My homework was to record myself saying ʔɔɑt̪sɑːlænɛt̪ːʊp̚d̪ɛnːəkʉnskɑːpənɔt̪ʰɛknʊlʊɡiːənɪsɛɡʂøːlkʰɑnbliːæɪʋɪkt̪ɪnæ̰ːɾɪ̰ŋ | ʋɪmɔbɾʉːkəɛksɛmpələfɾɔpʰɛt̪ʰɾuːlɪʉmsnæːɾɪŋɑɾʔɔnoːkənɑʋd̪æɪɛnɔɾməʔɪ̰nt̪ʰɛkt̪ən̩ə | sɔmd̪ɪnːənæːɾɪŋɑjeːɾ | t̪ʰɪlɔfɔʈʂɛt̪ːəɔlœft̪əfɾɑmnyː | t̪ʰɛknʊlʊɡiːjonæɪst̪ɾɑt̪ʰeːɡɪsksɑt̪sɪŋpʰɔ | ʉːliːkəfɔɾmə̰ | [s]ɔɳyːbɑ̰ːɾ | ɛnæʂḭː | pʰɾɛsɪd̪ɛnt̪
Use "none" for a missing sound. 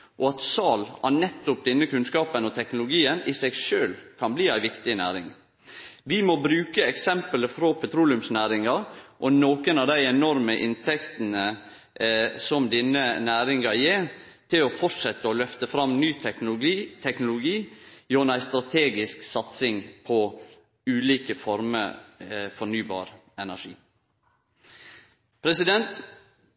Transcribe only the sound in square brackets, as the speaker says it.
f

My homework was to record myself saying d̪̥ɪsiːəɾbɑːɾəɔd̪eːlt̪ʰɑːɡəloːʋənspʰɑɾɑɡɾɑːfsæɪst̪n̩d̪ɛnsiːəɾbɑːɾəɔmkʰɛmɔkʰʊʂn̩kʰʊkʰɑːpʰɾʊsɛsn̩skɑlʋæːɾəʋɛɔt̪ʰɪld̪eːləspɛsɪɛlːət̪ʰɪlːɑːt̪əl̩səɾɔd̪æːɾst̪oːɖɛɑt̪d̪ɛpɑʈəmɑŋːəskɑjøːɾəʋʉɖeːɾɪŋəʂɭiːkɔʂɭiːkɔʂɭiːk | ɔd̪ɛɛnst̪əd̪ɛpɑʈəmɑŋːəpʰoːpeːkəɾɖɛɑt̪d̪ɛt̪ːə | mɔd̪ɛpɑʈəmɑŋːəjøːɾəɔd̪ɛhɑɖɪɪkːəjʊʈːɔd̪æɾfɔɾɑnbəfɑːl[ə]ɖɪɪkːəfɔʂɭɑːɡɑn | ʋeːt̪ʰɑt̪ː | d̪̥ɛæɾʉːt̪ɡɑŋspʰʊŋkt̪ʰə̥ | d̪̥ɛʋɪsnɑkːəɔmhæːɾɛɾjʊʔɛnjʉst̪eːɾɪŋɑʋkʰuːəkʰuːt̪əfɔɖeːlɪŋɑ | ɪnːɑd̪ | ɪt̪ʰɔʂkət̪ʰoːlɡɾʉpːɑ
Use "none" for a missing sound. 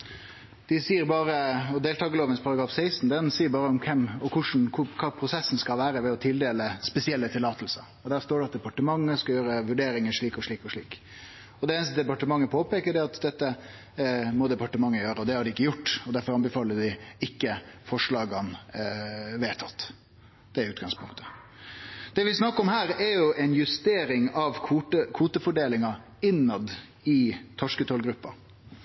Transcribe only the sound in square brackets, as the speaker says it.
ə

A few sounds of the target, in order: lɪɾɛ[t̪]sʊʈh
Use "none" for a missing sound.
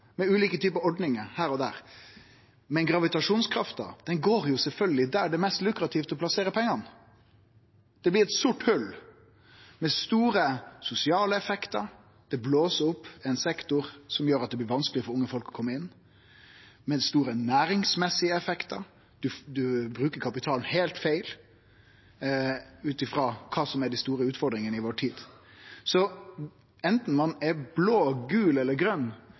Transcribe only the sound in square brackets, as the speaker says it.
t̪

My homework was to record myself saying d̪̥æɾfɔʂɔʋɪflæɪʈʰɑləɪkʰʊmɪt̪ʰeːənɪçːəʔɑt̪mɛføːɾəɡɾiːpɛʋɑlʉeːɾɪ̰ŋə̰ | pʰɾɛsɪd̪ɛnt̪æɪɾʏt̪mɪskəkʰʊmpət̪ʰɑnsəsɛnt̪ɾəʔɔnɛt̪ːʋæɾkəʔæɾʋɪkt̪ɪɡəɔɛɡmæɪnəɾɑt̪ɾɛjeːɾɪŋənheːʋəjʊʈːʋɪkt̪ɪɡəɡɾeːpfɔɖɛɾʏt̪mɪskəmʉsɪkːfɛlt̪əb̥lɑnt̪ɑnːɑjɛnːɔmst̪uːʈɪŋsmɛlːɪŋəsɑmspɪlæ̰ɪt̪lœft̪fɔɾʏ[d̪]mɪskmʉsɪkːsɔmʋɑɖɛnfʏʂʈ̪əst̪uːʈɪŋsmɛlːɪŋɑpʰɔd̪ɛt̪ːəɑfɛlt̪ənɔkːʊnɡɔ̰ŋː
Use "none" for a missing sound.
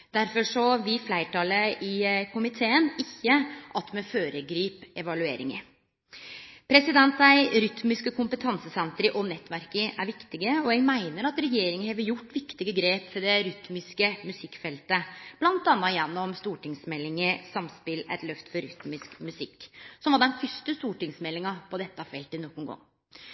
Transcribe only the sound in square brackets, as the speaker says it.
t̪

